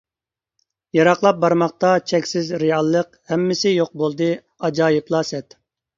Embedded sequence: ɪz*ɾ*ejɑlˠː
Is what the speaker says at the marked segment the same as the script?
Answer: yes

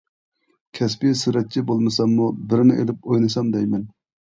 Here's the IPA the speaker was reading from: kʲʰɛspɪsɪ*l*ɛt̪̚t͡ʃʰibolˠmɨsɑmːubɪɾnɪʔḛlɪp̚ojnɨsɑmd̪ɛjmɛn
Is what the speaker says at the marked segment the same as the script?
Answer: no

